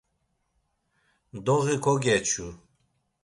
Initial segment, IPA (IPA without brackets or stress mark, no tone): d̪